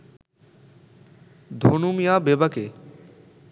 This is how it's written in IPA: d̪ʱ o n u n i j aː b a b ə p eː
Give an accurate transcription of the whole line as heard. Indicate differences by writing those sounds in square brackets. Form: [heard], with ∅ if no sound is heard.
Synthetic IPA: d̪ʱ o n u [m] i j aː b [e] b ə [k] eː